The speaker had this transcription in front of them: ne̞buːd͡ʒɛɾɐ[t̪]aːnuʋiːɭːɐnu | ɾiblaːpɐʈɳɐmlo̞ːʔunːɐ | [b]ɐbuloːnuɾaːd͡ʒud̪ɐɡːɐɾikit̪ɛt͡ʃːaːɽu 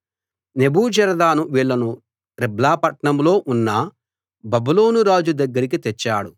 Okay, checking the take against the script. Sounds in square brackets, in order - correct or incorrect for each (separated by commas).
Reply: incorrect, correct